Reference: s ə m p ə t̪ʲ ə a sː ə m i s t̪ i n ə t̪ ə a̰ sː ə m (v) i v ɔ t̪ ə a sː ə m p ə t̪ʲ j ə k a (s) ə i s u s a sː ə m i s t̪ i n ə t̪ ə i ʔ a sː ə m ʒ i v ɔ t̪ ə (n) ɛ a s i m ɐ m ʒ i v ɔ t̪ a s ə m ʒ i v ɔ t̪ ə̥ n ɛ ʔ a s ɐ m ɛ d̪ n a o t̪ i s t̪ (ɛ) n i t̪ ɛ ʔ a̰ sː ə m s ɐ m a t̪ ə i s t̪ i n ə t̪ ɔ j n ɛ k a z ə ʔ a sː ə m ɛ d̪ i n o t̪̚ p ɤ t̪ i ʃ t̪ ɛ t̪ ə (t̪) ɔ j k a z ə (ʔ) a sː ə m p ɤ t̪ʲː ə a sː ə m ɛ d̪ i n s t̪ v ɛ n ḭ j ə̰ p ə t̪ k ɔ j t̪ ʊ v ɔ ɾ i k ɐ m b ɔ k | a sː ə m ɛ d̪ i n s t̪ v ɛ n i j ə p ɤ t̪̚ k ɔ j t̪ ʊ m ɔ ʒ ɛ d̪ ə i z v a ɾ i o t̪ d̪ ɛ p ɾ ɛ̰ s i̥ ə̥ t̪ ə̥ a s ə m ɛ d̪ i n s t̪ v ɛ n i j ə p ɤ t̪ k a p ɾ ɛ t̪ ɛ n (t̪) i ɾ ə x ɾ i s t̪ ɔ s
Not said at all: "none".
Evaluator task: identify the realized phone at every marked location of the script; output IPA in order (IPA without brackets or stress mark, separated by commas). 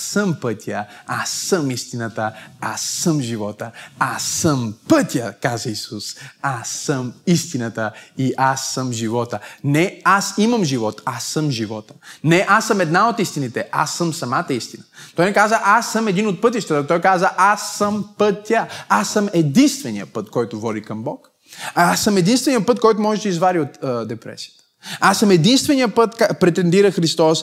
ʒ, z, n, i, t̪, ʔ, d̪